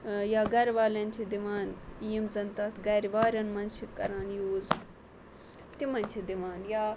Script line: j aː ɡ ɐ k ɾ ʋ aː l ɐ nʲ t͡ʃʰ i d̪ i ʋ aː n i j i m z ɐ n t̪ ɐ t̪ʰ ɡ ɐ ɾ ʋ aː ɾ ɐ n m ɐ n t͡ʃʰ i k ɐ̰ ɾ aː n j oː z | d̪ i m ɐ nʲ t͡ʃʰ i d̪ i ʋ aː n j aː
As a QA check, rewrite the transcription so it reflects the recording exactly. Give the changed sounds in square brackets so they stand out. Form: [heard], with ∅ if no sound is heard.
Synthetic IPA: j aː ɡ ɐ [∅] ɾ ʋ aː l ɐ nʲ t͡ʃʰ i d̪ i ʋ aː n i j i m z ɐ n t̪ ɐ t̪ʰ ɡ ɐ ɾ ʋ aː ɾ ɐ n m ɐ n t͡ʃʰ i k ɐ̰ ɾ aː n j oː z | [t̪] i m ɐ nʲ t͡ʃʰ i d̪ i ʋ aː n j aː